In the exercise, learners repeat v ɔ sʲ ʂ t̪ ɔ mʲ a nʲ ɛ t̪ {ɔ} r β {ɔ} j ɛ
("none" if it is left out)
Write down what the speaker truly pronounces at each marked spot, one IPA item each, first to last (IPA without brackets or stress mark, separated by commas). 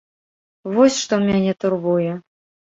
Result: u, u